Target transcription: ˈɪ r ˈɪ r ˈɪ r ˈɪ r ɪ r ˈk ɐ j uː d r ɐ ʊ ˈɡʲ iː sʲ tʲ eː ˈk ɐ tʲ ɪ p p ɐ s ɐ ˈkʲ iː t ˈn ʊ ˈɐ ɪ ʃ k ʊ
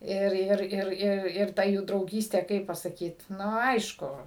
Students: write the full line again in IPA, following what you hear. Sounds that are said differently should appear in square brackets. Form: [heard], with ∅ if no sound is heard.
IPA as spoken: ˈɪ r ˈɪ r ˈɪ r ˈɪ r ɪ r [ˈt] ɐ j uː d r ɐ ʊ ˈɡʲ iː sʲ tʲ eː ˈk ɐ [∅] ɪ p p ɐ s ɐ ˈkʲ iː t ˈn ʊ ˈɐ ɪ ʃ k ʊ